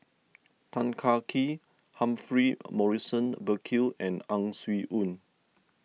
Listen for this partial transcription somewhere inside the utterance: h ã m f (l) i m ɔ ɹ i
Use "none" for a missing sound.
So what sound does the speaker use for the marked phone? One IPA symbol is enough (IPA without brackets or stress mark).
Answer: ɹ